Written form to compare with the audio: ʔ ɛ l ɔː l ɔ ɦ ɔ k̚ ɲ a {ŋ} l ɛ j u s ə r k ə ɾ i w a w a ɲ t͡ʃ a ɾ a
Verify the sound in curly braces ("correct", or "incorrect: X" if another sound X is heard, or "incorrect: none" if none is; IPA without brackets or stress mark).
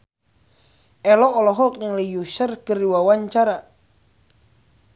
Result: correct